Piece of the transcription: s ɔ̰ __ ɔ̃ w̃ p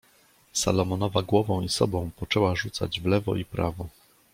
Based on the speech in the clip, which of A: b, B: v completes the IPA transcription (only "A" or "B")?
A